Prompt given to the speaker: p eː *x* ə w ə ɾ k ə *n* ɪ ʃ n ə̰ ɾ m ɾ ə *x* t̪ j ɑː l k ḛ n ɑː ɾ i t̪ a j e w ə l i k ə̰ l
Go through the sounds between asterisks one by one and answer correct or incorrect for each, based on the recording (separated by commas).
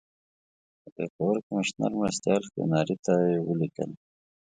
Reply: correct, incorrect, incorrect